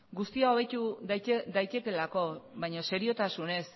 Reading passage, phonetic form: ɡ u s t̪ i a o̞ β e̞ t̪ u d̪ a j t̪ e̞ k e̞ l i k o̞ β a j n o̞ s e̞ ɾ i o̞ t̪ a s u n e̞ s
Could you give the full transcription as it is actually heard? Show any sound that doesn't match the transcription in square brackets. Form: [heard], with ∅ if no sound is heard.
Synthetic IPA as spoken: ɡ u s t̪ i a o̞ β e̞ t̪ u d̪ a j t̪ e̞ k e̞ l [a] k o̞ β a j [ɲ] o̞ s e̞ ɾ i o̞ t̪ a s u n e̞ s